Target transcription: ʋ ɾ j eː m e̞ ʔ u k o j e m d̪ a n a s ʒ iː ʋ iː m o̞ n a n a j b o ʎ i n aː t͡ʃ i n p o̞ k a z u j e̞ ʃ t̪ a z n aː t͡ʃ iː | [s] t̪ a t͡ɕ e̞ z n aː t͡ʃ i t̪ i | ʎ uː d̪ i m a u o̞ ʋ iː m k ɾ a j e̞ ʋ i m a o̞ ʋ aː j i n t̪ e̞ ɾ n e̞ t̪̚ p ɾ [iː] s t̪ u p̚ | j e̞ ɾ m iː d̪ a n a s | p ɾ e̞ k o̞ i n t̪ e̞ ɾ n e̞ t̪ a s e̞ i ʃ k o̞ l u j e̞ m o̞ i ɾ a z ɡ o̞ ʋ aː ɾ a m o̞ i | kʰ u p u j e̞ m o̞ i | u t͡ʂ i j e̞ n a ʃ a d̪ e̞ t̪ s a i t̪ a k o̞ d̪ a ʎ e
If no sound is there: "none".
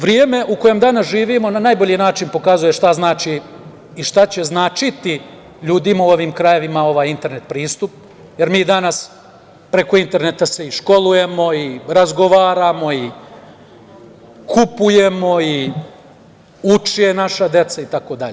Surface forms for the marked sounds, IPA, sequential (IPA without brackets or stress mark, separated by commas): ʃ, iː